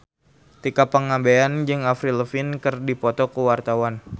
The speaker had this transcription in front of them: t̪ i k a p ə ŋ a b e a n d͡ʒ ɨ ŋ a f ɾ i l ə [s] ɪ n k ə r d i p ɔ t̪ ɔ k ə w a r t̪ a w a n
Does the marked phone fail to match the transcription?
yes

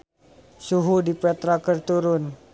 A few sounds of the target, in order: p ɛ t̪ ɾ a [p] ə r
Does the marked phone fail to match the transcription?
yes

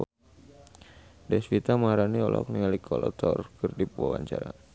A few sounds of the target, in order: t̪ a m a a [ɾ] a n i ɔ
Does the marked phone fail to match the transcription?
no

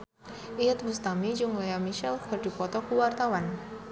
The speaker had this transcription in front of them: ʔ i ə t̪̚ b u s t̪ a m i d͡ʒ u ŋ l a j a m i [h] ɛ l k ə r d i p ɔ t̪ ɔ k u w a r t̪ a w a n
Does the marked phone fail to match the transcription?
yes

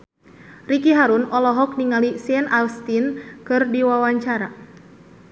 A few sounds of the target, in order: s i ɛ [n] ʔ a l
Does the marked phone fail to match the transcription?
no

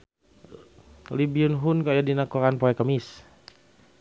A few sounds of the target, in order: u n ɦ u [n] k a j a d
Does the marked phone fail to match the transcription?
no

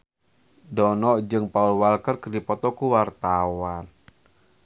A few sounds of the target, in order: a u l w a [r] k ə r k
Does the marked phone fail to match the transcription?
yes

